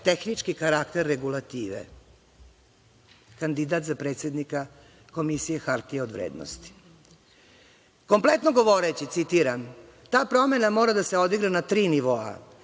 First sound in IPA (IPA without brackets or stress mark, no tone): t̪